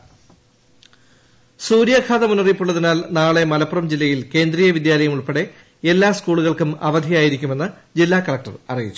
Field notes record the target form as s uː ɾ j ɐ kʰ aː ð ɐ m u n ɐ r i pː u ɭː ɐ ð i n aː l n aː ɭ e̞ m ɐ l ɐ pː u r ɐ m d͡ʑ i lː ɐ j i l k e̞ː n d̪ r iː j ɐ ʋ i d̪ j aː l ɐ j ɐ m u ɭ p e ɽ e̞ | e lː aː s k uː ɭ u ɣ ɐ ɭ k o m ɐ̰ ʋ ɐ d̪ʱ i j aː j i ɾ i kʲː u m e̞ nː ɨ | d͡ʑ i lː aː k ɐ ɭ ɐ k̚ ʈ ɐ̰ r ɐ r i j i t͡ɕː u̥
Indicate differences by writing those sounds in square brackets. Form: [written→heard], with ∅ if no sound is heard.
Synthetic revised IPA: s uː ɾ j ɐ kʰ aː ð ɐ m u n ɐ r i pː u ɭː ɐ ð i n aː l n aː ɭ e̞ m ɐ l ɐ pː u r ɐ m d͡ʑ i lː ɐ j i l k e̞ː n d̪ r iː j ɐ ʋ i d̪ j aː l ɐ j ɐ m u ɭ p e ɽ e̞ | e lː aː s k uː ɭ u ɣ ɐ ɭ k [o→u] m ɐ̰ ʋ ɐ d̪ʱ i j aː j i ɾ i kʲː u m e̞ nː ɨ | d͡ʑ i lː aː k ɐ ɭ ɐ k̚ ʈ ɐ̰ r ɐ r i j i t͡ɕː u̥